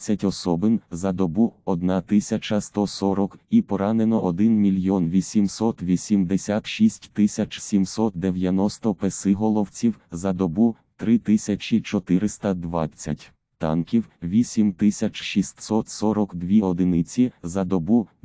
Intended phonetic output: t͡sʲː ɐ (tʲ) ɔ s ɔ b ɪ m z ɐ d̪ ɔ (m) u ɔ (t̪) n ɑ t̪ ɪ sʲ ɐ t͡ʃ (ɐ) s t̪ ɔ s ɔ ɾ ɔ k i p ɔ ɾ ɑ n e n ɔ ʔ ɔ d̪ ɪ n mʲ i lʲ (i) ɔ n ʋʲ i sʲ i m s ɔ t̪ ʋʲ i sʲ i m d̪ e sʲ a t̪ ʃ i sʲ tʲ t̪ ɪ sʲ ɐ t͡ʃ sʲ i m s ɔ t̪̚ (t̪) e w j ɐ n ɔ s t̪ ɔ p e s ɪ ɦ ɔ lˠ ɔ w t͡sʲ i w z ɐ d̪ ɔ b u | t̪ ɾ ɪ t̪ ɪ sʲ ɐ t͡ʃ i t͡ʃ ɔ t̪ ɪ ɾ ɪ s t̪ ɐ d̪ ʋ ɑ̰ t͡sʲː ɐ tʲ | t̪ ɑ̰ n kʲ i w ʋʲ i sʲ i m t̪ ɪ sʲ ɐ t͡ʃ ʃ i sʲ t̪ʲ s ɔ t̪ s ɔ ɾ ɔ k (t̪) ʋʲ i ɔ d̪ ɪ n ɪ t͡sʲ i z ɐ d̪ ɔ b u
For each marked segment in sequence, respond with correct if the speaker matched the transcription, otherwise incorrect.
correct, incorrect: b, incorrect: d̪, correct, incorrect: j, incorrect: d̪, incorrect: d̪

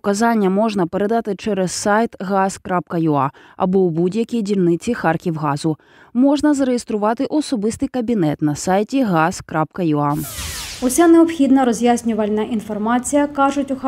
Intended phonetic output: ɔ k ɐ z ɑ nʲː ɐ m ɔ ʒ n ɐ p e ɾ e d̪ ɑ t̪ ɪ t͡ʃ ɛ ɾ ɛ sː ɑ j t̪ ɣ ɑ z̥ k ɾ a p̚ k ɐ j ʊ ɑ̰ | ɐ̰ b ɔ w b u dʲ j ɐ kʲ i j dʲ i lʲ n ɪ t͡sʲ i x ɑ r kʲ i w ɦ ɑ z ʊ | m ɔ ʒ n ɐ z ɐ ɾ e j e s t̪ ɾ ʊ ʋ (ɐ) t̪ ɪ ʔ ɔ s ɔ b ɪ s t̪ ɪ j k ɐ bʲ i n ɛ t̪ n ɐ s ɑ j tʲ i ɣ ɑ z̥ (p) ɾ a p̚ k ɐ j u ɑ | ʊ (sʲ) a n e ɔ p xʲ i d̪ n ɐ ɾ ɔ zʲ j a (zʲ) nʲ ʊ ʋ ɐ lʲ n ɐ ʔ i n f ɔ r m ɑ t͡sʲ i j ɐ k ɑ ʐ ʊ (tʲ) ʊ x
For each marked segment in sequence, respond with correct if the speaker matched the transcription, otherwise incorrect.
incorrect: ɑ, incorrect: k, correct, incorrect: sʲ, correct

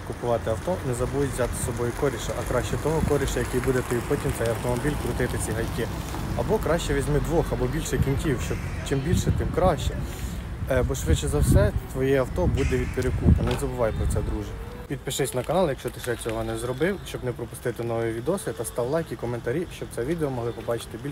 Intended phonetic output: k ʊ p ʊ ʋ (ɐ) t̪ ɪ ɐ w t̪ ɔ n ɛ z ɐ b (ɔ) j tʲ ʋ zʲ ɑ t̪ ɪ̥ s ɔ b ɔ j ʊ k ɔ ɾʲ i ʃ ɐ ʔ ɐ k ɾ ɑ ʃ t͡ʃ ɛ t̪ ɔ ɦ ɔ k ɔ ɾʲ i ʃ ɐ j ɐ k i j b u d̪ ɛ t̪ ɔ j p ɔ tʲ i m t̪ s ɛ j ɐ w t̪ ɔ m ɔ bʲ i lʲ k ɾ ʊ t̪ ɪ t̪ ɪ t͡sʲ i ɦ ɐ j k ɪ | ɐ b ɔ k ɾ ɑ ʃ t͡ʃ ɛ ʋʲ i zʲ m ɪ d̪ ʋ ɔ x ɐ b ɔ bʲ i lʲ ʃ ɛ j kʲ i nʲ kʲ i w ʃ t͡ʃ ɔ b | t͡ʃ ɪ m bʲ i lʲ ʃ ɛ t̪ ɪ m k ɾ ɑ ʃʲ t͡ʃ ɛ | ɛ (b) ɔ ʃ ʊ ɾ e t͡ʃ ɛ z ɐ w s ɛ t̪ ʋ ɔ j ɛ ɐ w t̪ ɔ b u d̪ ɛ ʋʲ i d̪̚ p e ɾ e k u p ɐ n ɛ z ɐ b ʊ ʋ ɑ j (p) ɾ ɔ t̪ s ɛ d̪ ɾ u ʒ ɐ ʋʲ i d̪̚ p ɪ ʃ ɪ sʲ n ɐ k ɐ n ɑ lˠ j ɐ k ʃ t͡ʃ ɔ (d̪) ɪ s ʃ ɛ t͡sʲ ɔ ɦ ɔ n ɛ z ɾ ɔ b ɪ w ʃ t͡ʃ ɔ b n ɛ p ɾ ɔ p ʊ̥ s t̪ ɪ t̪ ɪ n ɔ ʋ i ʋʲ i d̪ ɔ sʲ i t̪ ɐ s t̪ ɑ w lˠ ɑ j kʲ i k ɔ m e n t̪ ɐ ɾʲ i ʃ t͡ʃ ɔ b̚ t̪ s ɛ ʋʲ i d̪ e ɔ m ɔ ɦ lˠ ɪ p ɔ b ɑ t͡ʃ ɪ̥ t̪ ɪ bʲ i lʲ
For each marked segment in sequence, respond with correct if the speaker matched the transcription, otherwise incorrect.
incorrect: ɑ, incorrect: u, correct, correct, incorrect: t̪

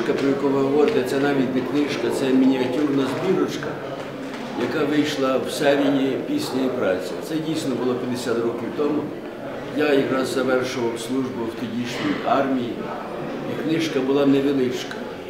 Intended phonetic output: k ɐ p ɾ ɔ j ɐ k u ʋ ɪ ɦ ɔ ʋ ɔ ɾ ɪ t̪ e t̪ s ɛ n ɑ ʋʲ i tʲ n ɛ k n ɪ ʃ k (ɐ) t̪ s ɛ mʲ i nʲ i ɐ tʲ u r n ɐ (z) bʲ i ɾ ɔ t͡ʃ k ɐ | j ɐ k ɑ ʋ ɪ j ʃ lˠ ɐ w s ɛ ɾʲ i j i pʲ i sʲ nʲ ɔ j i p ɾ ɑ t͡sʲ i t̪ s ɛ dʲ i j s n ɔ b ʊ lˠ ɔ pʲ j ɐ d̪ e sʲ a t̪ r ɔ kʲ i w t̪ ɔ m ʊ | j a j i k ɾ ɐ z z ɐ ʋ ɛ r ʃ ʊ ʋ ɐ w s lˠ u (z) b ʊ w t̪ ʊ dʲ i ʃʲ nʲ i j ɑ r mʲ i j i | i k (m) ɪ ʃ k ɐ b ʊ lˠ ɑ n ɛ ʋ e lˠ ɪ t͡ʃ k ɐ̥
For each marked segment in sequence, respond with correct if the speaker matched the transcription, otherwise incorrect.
correct, correct, incorrect: ʒ, incorrect: n

